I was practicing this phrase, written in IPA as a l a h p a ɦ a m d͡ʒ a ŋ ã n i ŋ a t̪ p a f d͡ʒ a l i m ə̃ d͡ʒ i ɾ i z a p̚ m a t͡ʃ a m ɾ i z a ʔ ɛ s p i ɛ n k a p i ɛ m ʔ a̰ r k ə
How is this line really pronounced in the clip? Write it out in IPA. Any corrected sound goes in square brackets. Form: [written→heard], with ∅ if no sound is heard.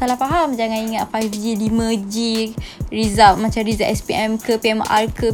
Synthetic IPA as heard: a l a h p a ɦ a m d͡ʒ a ŋ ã n i ŋ a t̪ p a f d͡ʒ [a→i] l i m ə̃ d͡ʒ i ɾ i z a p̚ m a t͡ʃ a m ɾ i z a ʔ ɛ s p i ɛ [n→m] k [a→ə] p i ɛ m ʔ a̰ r k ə